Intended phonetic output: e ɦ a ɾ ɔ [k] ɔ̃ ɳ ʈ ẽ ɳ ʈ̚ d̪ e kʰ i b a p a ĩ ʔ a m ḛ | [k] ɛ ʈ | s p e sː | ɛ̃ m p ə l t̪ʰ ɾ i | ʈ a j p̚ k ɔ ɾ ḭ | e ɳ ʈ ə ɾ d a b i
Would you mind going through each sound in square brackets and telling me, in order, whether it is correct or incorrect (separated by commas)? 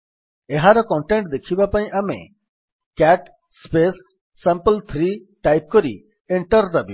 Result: correct, correct